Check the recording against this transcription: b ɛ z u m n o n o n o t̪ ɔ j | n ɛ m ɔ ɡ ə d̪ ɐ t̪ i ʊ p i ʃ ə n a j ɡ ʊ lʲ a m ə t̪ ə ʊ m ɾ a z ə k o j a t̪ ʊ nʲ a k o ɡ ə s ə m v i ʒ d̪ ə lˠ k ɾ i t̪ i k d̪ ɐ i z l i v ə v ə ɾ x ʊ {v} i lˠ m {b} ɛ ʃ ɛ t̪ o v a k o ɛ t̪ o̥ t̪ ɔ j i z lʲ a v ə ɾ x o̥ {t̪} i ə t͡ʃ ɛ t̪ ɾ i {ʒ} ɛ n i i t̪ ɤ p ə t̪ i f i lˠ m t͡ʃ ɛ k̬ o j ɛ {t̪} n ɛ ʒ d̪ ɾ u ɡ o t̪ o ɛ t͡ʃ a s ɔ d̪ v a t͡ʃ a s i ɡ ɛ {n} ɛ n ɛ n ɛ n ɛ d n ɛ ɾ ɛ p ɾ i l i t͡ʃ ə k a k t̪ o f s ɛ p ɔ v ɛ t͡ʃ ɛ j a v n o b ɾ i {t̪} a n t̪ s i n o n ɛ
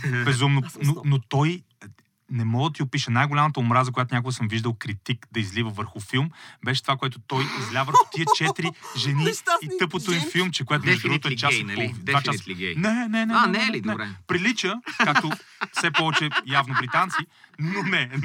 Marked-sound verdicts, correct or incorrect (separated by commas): incorrect, correct, correct, correct, correct, correct, correct